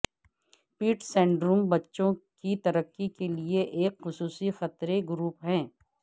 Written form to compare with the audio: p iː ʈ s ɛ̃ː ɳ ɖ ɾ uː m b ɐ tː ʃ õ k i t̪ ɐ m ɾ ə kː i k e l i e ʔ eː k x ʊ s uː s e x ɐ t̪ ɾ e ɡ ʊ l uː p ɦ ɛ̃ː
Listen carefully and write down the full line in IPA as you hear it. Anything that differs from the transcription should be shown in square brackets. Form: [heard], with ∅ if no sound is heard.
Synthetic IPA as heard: p iː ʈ s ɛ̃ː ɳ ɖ ɾ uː m b ɐ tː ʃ õ k i t̪ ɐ [∅] ɾ ə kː i k e l i e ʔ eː k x ʊ s uː s [i] x ɐ t̪ ɾ e ɡ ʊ [ɾ] uː p ɦ ɛ̃ː